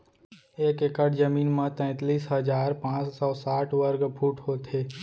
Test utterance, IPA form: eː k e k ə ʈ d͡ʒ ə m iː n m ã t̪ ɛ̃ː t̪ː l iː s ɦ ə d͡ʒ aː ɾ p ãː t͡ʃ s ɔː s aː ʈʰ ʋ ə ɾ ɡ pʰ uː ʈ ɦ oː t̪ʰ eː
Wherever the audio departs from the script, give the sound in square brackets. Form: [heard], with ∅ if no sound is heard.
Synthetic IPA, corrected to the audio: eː k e k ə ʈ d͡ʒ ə m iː n m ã t̪ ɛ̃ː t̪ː l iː s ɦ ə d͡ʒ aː ɾ p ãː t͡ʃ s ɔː s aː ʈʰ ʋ ə ɾ ɡ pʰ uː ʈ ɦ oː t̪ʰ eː